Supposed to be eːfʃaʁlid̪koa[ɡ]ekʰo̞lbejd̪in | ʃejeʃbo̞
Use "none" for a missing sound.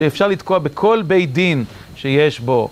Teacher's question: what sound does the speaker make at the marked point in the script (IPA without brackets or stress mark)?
b